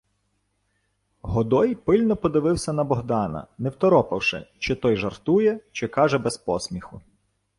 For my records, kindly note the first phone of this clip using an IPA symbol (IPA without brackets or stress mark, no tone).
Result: ɦ